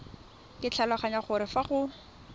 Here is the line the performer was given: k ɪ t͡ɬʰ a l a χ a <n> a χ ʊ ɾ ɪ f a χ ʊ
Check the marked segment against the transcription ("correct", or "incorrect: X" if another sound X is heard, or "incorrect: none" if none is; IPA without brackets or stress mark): incorrect: ɲ